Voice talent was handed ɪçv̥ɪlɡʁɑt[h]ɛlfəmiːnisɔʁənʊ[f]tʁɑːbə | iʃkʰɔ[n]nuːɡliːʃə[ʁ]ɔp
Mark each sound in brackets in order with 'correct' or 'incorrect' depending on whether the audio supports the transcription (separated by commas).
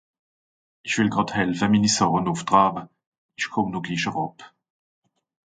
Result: correct, correct, incorrect, correct